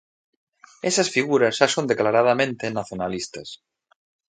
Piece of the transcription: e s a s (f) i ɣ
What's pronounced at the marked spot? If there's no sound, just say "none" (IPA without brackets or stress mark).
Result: f